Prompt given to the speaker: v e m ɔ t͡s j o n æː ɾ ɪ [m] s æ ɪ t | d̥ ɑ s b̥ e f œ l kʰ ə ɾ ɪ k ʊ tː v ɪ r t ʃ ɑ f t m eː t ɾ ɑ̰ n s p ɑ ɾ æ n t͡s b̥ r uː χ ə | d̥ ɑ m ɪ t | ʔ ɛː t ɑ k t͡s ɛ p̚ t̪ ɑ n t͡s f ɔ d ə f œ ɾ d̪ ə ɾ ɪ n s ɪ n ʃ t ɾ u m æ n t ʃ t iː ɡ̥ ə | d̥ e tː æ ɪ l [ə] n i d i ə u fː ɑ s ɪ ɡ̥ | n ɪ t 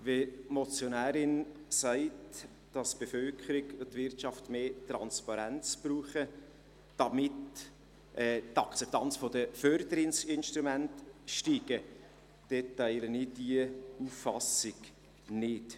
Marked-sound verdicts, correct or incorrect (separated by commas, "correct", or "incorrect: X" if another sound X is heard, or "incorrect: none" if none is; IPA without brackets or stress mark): incorrect: n, correct